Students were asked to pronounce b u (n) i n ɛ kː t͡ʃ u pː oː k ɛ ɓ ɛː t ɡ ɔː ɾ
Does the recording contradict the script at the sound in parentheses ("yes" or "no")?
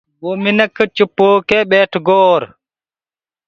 yes